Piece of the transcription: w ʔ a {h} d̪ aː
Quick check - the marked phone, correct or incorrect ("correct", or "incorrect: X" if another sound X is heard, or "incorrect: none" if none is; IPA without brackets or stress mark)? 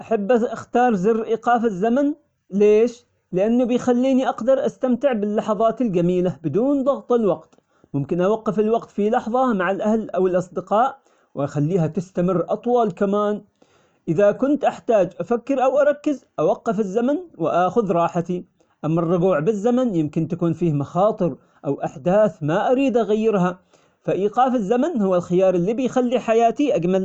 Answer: incorrect: ħ